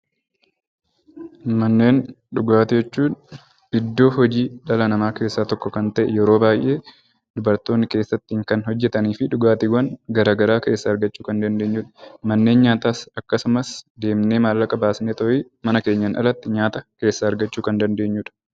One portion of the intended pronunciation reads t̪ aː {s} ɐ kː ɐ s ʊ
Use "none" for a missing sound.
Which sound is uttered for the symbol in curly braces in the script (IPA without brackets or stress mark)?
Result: s